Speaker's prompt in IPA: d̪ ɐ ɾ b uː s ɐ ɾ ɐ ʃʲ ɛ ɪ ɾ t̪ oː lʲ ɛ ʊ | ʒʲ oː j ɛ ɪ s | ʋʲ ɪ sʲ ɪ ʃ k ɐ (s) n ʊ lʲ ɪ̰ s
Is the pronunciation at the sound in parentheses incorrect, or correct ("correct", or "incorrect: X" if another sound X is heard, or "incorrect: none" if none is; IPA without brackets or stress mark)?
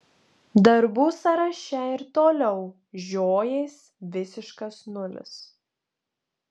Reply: correct